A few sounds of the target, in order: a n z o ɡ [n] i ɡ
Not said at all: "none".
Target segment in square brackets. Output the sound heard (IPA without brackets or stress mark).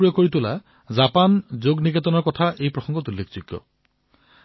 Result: n